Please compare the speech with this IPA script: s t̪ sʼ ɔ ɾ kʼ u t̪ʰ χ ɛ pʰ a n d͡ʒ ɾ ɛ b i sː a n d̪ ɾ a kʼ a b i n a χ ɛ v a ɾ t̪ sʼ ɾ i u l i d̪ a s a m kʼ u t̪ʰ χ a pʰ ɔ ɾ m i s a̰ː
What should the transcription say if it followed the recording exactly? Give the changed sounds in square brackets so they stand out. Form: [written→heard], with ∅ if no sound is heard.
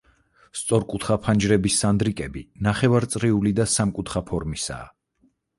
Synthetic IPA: s t̪ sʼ ɔ ɾ kʼ u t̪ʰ χ [ɛ→a] pʰ a n d͡ʒ ɾ ɛ b i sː a n d̪ ɾ [a→i] kʼ [a→ɛ] b i n a χ ɛ v a ɾ t̪ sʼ ɾ i u l i d̪ a s a m kʼ u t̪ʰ χ a pʰ ɔ ɾ m i s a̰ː